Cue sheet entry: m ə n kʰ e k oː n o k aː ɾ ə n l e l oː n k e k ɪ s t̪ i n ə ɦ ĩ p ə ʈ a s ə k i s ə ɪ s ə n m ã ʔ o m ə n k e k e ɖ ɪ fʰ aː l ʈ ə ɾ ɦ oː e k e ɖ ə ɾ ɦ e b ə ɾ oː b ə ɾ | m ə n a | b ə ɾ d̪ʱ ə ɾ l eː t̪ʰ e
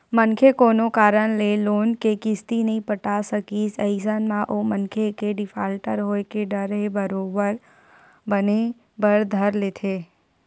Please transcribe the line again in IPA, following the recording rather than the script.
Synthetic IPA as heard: m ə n kʰ e k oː n o k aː ɾ ə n l e l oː n k e k ɪ s t̪ i n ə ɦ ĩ p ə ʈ a s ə k i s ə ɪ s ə n m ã ʔ o m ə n kʰ e k e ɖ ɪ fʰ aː l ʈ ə ɾ ɦ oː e k e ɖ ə ɾ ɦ e b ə ɾ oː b ə ɾ | b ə n e | b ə ɾ d̪ʱ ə ɾ l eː t̪ʰ e